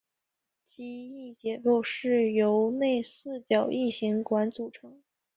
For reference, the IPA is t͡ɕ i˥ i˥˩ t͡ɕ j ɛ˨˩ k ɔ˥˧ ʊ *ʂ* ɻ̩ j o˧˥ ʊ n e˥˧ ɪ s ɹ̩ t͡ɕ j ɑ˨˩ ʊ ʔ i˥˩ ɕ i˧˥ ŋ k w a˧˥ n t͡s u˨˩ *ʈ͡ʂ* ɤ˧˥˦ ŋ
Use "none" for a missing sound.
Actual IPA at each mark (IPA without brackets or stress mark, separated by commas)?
ʂ, ʈ͡ʂʰ